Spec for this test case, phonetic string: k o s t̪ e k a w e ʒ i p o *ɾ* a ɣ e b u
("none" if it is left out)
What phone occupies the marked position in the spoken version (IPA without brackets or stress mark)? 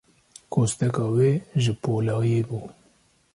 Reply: l